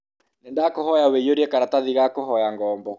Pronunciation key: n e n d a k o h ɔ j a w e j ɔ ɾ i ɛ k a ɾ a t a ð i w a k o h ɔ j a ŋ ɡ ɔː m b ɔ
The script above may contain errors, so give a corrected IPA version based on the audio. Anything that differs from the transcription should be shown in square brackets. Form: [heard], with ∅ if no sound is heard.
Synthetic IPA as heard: n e n d a k o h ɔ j a w e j [o] ɾ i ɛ k a ɾ a t a ð i [ɣ] a k o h ɔ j a ŋ ɡ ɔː m b ɔ

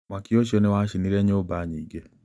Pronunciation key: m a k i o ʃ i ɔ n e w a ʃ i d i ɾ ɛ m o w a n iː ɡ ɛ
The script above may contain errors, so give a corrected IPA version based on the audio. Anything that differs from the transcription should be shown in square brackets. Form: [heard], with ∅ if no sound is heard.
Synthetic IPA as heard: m a k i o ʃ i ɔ n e w a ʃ i [n] i ɾ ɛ [ɲ] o [b] a [ɲ] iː ɡ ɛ

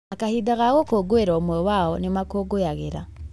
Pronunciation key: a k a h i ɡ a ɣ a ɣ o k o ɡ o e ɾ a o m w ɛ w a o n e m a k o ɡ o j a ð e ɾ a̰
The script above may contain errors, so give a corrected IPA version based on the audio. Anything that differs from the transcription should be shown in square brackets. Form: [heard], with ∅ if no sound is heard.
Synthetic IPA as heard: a k a h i [d] a ɣ a ɣ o k o ɡ o e ɾ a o m w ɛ w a [ɔ] n e m a k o ɡ o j a [ɣ] e ɾ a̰

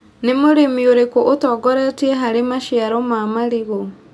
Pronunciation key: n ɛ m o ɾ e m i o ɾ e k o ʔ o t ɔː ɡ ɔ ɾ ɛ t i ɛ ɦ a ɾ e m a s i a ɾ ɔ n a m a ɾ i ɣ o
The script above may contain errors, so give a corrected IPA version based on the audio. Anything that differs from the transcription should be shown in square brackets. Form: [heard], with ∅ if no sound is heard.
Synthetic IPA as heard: n [e] m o ɾ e m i o ɾ e k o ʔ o t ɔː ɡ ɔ ɾ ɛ t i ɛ ɦ a ɾ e m a [ʃ] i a ɾ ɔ [m] a m a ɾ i ɣ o

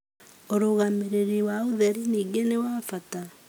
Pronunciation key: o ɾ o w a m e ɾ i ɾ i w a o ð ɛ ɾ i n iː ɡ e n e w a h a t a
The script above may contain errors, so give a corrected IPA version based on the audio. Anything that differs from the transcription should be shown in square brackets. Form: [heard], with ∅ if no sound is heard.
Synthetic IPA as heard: o ɾ o [ɣ] a m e ɾ [e] ɾ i w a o ð ɛ ɾ i n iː ɡ e n e w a [f] a t a

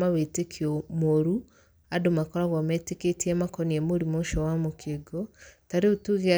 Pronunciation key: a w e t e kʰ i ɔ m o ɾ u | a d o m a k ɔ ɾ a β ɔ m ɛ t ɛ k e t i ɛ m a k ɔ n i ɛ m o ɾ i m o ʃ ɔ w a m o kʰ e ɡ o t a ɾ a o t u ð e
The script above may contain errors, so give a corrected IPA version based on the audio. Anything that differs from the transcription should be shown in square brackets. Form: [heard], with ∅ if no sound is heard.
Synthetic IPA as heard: a w e t e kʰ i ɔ m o ɾ u | a d o m a k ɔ ɾ a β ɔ m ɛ t [e] k e t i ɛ m a k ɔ n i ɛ m o ɾ i m o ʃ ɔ w a m o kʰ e ɡ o t a ɾ [e] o t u [ɣ] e

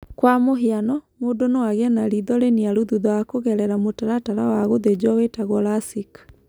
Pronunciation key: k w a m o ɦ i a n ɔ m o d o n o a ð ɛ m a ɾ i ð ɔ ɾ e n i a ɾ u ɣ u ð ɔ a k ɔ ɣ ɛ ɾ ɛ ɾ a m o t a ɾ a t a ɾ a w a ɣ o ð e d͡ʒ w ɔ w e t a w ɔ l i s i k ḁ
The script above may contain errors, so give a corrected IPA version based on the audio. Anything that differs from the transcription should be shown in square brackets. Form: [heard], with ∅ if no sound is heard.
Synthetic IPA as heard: k w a m o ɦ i a n ɔ m o d o n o a [ɣ] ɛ [n] a ɾ i ð ɔ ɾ e n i a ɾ u [ð] u ð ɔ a k [o] ɣ ɛ ɾ ɛ ɾ a m o t a ɾ a t a ɾ a w a ɣ o ð e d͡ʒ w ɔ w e t a [ɣ] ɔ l [a] s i k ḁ

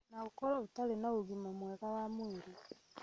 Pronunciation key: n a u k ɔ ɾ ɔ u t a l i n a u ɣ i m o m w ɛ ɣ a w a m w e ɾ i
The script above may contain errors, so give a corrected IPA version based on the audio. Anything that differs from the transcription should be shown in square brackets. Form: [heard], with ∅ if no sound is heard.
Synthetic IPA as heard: n a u k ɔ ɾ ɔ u t a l [e] n a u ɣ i m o m w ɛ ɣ a w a m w e ɾ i

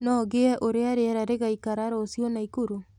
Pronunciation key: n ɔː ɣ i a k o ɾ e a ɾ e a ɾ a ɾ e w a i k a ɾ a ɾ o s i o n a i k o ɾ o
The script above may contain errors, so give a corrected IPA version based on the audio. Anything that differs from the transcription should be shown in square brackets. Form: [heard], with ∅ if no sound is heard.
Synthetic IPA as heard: n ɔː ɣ [e] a [ʔ] o ɾ e a ɾ e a ɾ a ɾ e [ɣ] a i k a ɾ a ɾ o s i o n a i k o ɾ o

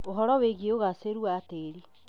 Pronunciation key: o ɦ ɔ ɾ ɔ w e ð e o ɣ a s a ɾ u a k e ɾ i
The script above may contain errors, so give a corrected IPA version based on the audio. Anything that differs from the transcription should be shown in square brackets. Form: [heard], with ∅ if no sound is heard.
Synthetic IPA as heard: o ɦ ɔ ɾ ɔ w e [ɣ] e o ɣ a s [e] ɾ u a [t] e ɾ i

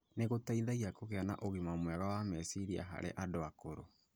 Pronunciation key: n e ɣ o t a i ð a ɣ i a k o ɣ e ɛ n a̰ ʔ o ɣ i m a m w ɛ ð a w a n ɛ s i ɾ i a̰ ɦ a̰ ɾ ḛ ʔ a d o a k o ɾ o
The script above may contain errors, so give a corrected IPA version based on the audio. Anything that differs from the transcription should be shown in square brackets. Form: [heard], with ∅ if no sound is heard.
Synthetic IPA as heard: n e ɣ o t a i ð a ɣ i a k o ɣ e [a] n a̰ ʔ o ɣ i m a m w ɛ [ɣ] a w a [m] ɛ s i ɾ i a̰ ɦ a̰ ɾ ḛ ʔ a d o a k o ɾ o

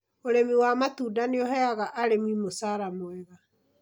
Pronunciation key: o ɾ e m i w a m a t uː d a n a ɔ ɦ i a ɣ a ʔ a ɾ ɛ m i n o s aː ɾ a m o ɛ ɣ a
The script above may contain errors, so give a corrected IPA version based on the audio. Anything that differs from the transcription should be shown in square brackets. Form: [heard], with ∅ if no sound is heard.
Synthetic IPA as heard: o ɾ e m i w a m a t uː d a n [e] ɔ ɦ [ɛ] a ɣ a ʔ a ɾ [e] m i [m] o s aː ɾ a m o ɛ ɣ a

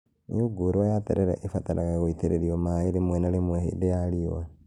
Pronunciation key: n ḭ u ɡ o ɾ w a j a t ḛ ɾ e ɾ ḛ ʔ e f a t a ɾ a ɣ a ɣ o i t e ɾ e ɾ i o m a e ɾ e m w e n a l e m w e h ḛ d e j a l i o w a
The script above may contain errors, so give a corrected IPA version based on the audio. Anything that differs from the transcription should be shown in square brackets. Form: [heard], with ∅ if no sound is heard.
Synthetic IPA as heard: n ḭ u ɡ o ɾ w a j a t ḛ ɾ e ɾ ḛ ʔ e f a t a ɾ a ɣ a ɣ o i t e ɾ e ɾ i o m a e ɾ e m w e n a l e m w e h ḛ d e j a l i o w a

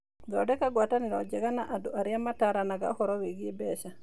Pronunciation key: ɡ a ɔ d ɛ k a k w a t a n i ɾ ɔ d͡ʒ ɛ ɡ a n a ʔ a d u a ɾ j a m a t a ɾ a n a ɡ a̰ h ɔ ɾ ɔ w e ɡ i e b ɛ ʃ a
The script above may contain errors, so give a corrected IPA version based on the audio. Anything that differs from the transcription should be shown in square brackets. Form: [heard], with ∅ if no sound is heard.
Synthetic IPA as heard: ɡ a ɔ d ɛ k a [ɡ] w a t a n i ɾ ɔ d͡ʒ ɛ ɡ a n a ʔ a d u a ɾ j a m a t a ɾ a n a ɡ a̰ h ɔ ɾ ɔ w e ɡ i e b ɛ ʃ a

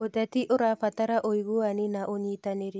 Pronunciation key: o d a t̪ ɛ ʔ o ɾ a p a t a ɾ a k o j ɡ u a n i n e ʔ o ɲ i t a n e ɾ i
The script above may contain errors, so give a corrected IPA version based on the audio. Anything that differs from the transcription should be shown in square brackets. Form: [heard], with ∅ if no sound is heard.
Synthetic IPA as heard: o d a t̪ [i] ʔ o ɾ a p a t a ɾ a [ʔ] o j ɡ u a n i n [a] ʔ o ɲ i t a n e ɾ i

